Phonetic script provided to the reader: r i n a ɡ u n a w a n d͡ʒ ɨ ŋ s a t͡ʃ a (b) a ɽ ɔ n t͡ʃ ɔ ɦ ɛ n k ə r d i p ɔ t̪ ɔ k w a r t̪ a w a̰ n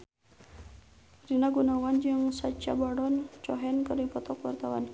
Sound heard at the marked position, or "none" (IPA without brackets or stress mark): b